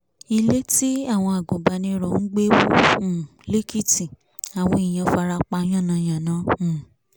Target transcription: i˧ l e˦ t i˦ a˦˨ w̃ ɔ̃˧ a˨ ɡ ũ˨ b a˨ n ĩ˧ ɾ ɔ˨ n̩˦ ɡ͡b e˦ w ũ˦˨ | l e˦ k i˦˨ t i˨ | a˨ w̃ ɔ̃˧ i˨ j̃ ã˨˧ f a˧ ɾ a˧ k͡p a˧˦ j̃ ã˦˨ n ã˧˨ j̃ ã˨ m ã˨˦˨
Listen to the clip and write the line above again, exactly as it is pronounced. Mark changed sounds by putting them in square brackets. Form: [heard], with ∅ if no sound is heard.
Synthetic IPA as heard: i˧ l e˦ t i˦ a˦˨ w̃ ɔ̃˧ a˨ ɡ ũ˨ b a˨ n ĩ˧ ɾ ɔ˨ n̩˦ ɡ͡b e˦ w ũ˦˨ | l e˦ k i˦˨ t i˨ | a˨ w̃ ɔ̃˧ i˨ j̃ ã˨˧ f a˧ ɾ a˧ k͡p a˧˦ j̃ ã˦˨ n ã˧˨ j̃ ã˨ [n] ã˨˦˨